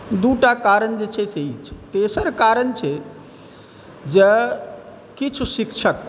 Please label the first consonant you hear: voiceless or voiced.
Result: voiced